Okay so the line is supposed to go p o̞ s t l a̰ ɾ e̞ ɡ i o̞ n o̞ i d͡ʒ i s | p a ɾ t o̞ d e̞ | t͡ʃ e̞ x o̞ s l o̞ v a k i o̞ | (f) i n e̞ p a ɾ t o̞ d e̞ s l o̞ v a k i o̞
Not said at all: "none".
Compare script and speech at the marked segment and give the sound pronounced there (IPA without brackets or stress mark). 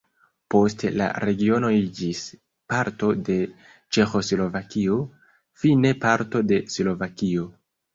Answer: f